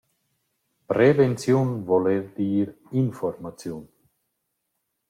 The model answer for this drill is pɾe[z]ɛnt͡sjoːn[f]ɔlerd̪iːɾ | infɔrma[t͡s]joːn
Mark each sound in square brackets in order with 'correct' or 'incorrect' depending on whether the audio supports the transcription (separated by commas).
incorrect, incorrect, correct